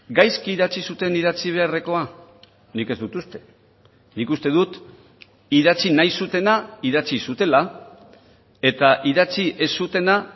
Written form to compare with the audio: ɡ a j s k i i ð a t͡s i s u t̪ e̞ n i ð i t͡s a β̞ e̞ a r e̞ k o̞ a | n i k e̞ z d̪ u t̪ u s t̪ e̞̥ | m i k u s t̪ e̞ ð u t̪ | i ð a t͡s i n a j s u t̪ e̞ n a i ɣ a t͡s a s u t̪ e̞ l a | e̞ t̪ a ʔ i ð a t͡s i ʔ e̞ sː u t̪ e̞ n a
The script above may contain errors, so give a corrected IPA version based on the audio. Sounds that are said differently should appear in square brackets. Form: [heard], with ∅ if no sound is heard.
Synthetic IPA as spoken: ɡ a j s k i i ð a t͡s i s u t̪ e̞ n i ð [a] t͡s [i] β̞ e̞ a r e̞ k o̞ a | n i k e̞ z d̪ u t̪ u s t̪ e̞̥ | [n] i k u s t̪ e̞ ð u t̪ | i ð a t͡s i n a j s u t̪ e̞ n a i [ð] a t͡s [i] s u t̪ e̞ l a | e̞ t̪ a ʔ i ð a t͡s i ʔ e̞ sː u t̪ e̞ n a